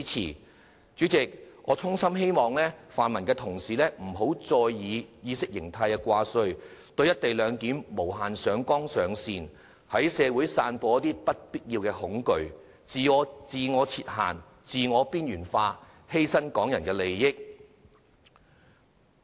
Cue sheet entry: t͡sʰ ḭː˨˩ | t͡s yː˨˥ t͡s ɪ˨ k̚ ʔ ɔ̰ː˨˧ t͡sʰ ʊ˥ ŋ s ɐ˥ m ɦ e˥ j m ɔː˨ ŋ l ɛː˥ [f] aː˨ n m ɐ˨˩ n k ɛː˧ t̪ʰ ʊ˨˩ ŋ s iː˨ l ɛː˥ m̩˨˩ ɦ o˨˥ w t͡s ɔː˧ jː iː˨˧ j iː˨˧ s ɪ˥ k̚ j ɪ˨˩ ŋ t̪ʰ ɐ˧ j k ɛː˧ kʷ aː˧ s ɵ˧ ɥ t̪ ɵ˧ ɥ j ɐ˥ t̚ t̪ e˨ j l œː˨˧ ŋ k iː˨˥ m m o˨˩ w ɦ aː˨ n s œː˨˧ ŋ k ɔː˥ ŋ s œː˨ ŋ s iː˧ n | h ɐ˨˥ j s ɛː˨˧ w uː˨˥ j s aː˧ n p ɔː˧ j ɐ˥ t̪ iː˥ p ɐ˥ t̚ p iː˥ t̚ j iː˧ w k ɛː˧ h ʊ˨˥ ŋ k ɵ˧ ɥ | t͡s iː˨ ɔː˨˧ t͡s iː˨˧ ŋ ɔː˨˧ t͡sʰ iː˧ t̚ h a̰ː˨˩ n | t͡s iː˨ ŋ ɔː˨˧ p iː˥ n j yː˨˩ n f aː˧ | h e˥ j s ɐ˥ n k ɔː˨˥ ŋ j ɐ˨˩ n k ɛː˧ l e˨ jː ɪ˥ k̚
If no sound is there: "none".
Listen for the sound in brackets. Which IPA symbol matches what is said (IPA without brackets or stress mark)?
f